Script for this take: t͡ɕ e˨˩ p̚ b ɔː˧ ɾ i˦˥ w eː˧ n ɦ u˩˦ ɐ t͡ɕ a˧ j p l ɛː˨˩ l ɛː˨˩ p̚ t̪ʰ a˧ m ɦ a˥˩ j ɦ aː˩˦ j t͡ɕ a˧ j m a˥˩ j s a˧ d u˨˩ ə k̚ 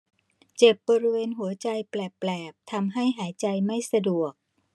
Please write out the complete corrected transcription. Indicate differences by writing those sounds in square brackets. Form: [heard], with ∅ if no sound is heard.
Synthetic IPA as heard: t͡ɕ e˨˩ p̚ b ɔː˧ ɾ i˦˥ w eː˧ n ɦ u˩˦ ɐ t͡ɕ a˧ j p l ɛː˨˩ l ɛː˨˩ p̚ t̪ʰ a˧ m ɦ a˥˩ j ɦ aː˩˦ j t͡ɕ a˧ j m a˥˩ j s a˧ d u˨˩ ə k̚